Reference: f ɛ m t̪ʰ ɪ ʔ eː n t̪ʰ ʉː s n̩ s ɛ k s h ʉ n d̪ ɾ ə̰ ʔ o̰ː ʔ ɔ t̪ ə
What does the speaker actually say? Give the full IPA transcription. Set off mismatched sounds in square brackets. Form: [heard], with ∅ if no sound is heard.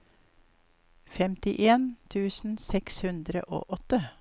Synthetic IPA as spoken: f ɛ m [t̪] ɪ ʔ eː n t̪ʰ ʉː s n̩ s ɛ k s h ʉ n d̪ ɾ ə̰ ʔ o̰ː ʔ ɔ t̪ ə